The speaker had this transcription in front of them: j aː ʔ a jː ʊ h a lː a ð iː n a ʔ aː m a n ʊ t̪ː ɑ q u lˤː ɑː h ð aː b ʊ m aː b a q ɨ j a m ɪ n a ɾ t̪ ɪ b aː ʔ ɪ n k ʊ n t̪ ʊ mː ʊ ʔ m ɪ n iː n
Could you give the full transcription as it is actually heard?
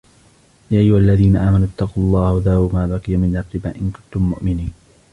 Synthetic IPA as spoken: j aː ʔ a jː ʊ h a lː a ð iː n a ʔ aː m a n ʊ t̪ː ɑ q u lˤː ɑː h ð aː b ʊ m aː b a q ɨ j a m ɪ n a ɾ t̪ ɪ b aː ʔ ɪ n k ʊ n t̪ ʊ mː ʊ ʔ m ɪ n iː n